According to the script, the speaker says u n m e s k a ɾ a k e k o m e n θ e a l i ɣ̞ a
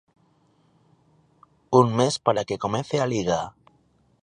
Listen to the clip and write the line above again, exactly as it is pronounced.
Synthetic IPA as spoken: u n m e s p a ɾ a k e k o m e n θ e a l i ɣ̞ a